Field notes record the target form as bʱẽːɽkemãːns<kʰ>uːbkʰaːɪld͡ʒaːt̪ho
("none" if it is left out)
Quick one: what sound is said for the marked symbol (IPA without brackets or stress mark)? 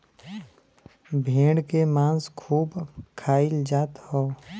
kʰ